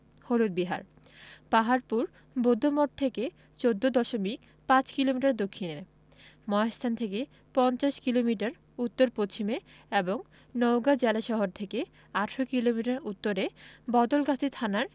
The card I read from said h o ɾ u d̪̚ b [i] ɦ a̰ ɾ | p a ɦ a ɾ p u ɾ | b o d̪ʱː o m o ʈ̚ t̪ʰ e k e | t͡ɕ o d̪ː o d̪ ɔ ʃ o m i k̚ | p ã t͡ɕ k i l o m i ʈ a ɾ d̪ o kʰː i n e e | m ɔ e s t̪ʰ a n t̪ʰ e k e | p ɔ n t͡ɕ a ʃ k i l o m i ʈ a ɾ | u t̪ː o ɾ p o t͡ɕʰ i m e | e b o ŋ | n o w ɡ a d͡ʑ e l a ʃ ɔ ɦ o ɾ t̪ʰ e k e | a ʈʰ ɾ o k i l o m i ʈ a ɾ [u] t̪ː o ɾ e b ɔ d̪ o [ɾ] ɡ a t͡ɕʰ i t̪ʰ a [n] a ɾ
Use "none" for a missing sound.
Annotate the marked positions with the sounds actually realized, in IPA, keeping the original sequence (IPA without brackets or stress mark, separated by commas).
i, u, l, n